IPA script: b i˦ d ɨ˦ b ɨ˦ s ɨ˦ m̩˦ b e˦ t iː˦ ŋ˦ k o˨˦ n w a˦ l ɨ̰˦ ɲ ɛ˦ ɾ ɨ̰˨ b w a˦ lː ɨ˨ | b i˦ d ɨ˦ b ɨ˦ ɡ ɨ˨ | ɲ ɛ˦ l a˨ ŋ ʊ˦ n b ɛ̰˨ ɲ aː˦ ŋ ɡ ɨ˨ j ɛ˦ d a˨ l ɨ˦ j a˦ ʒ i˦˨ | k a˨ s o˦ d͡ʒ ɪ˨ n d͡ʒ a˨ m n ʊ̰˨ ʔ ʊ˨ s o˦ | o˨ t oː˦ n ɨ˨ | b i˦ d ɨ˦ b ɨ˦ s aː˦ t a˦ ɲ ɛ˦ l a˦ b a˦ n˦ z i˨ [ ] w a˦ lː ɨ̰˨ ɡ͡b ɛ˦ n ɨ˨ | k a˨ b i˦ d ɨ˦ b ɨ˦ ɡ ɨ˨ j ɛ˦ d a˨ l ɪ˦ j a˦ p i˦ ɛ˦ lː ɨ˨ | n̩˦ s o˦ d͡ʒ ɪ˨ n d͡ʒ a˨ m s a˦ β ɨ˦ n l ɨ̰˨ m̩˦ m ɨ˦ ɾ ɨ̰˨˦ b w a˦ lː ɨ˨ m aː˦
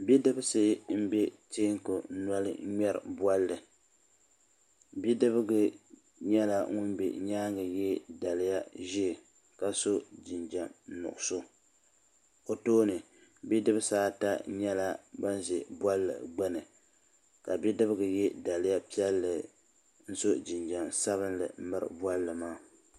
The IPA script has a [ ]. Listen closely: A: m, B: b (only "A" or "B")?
B